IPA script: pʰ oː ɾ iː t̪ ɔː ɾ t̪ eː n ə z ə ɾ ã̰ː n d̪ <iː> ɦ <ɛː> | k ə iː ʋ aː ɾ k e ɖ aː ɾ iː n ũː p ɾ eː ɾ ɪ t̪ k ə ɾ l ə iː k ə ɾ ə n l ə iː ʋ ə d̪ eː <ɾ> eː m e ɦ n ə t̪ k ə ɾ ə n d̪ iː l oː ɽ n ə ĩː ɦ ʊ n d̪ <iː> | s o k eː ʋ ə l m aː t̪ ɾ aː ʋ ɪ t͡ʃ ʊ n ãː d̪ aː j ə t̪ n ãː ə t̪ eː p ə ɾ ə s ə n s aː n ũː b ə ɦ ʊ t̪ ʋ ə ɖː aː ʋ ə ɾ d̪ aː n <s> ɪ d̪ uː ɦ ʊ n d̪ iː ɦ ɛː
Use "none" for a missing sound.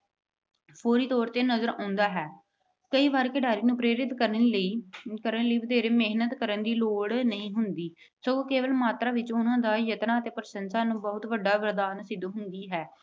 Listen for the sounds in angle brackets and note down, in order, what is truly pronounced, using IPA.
aː, ɛː, ɾ, iː, s

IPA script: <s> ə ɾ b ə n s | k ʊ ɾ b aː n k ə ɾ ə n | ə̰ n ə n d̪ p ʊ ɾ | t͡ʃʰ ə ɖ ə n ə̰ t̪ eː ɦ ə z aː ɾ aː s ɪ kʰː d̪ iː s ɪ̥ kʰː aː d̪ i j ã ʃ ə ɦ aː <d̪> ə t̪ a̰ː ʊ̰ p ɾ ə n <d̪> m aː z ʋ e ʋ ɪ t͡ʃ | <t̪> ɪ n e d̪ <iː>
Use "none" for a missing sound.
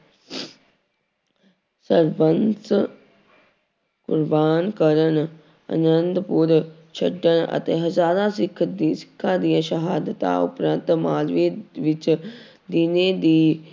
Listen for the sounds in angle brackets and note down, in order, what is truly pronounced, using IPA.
s, d̪, t̪, d̪, iː

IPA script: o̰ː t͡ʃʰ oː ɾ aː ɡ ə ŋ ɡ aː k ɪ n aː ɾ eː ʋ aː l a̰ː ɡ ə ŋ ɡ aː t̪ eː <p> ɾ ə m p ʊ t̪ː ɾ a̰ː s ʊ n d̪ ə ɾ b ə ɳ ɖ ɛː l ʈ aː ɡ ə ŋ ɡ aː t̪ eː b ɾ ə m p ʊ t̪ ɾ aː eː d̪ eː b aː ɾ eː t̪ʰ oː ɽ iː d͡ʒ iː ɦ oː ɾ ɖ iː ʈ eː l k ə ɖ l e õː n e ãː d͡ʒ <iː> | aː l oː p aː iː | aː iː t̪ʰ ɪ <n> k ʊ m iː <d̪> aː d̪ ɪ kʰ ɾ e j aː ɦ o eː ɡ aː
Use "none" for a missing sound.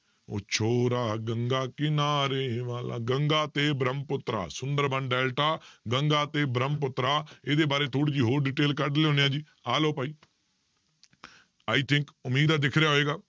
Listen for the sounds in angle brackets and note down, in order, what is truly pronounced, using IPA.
b, iː, ŋ, d̪

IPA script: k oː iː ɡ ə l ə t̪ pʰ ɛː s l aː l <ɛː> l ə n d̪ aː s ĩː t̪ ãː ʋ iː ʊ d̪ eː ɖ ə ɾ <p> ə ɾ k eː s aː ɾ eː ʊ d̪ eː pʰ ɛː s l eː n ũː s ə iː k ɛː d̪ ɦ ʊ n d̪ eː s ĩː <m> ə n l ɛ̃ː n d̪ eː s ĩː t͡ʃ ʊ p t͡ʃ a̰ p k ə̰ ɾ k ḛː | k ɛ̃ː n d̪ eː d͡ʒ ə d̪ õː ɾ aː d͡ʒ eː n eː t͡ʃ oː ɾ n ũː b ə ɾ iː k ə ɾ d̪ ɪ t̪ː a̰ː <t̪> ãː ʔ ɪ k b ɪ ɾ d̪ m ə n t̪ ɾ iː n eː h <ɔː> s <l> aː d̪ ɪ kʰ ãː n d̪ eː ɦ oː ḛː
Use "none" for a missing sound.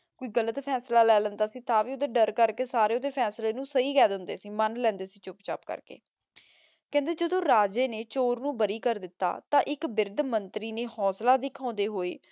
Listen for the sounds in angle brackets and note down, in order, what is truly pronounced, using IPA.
ɛː, k, m, t̪, ɔː, l

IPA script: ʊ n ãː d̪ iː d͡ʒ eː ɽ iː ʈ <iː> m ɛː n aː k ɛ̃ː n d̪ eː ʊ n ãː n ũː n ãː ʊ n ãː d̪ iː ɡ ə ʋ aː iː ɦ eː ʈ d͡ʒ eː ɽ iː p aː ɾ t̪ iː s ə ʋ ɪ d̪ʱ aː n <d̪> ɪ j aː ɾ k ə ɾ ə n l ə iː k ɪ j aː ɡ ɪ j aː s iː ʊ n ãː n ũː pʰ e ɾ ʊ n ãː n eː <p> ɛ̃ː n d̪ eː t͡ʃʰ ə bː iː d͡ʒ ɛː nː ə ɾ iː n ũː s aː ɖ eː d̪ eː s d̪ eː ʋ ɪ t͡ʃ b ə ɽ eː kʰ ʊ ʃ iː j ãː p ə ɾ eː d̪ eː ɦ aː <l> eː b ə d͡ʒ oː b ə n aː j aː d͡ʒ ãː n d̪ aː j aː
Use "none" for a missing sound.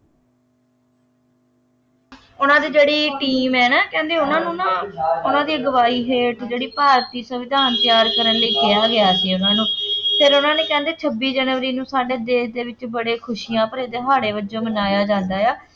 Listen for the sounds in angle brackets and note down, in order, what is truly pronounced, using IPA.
iː, t̪, k, ɽ

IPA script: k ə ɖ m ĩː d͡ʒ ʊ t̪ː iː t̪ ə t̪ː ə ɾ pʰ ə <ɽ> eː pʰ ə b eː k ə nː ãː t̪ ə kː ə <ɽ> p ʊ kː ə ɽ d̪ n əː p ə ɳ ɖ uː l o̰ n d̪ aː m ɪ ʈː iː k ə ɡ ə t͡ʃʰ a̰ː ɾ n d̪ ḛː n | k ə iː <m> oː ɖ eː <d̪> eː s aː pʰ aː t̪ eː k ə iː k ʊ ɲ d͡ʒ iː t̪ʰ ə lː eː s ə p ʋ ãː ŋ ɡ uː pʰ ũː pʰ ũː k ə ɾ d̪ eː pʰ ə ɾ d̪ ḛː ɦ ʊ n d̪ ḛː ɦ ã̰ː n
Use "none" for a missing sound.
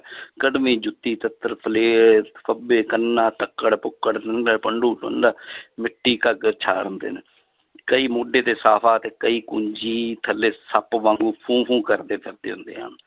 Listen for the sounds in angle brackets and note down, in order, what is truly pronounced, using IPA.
l, ɽ, m, t̪

